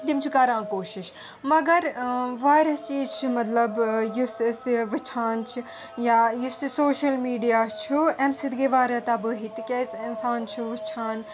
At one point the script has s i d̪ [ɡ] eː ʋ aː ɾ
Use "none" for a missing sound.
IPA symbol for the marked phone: ɡ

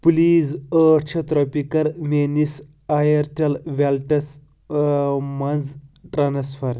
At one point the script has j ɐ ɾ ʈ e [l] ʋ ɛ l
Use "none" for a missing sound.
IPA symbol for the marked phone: l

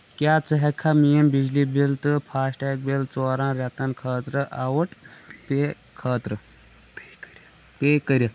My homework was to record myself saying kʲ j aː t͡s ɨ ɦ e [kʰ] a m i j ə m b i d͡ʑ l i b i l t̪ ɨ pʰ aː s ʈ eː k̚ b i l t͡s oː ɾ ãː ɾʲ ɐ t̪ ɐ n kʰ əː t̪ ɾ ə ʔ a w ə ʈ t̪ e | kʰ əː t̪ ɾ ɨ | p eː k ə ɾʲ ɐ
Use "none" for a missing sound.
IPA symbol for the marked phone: kʰ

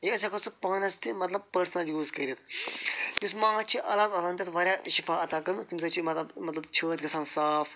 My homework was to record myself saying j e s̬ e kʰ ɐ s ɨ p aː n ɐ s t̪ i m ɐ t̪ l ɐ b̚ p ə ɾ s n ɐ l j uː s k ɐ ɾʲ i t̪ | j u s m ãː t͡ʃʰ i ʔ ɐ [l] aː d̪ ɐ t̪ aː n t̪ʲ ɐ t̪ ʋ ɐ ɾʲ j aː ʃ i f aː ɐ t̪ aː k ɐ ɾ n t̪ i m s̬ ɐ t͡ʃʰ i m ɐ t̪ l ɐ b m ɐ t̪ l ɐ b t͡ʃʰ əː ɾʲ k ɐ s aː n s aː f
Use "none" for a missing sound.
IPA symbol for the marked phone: l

